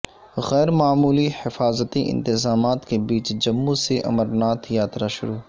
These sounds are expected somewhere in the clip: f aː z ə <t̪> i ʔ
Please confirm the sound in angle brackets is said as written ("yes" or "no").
yes